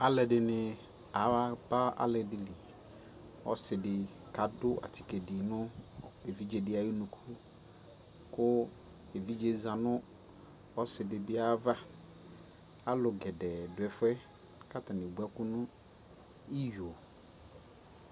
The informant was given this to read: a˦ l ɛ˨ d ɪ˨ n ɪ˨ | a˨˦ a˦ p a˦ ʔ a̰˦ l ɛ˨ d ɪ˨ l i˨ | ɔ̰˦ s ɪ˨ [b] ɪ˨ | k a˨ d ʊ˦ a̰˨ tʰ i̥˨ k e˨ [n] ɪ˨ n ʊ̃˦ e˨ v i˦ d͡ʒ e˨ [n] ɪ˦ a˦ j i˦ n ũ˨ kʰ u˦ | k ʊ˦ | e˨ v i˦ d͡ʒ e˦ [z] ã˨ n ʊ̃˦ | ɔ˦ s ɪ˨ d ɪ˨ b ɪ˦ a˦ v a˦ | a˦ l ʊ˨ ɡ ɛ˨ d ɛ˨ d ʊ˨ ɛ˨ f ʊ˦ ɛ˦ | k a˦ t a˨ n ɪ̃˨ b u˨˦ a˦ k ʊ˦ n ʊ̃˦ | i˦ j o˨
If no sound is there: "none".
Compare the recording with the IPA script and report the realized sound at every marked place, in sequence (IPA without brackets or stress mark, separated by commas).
d, d, d, z